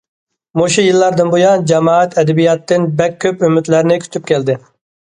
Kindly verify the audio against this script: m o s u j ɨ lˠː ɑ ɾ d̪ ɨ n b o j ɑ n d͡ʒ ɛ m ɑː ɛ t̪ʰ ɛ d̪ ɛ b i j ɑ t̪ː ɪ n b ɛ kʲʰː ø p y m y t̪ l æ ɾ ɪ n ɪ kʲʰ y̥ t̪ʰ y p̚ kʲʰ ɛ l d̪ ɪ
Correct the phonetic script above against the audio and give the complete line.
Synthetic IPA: m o ʃ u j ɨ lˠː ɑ ɾ d̪ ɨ n b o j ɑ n d͡ʒ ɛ m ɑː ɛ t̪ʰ ɛ d̪ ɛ b i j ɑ t̪ː ɪ n b ɛ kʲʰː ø p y m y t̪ l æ ɾ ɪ n ɪ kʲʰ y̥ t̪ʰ y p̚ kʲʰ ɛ l d̪ ɪ